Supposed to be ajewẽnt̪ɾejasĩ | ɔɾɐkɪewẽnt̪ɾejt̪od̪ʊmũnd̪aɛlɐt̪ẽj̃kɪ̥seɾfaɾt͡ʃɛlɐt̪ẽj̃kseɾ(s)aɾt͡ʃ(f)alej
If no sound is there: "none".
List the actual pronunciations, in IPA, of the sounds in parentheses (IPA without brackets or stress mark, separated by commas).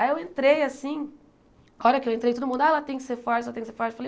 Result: f, f